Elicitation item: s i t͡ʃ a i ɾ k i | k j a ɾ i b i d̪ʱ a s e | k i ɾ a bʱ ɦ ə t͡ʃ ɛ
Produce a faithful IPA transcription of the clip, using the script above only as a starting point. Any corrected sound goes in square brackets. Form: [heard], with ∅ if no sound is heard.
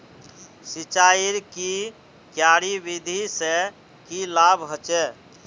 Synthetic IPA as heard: s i t͡ʃ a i ɾ k i | k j a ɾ i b i d̪ʱ [i] s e | k i [l] a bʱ ɦ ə t͡ʃ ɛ